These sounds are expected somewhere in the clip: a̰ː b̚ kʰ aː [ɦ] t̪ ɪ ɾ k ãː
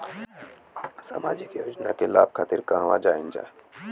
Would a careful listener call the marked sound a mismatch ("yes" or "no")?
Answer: yes